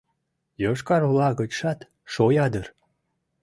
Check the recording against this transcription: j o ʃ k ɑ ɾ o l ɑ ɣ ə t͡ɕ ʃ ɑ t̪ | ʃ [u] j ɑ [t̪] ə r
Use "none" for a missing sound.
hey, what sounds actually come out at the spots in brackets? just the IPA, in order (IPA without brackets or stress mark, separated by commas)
o, d̪